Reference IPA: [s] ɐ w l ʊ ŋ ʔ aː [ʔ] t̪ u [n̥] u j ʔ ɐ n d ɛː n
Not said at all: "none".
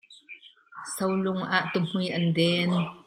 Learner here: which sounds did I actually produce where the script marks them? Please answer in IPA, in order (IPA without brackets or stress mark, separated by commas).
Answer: s, ʔ, m̥